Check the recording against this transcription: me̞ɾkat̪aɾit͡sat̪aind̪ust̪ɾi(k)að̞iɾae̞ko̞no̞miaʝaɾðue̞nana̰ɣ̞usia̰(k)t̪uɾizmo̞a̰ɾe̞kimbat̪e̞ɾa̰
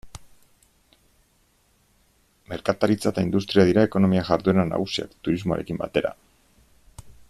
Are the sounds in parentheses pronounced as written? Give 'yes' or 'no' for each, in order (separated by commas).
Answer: no, yes